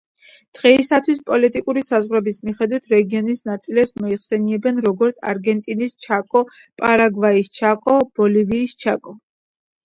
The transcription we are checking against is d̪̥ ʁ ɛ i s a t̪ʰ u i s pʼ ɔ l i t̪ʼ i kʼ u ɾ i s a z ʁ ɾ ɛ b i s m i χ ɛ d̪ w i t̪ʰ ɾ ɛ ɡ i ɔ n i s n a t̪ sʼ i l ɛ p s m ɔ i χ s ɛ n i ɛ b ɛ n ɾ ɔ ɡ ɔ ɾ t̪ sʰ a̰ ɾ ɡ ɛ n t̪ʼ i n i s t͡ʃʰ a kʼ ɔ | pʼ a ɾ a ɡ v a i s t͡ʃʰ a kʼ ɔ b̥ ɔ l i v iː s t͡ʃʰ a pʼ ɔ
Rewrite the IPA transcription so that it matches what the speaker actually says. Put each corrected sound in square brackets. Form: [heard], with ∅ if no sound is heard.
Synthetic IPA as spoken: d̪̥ ʁ ɛ i s a t̪ʰ [w] i s pʼ ɔ l i t̪ʼ i kʼ u ɾ i s a z ʁ ɾ ɛ b i s m i χ ɛ d̪ w i t̪ʰ ɾ ɛ ɡ i ɔ n i s n a t̪ sʼ i l ɛ p s m ɔ i χ s ɛ n i ɛ b ɛ n ɾ ɔ ɡ ɔ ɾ t̪ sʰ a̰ ɾ ɡ ɛ n t̪ʼ i n i s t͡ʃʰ a kʼ ɔ | pʼ a ɾ a ɡ v a i s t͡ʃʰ a kʼ ɔ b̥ ɔ l i v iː s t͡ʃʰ a [kʼ] ɔ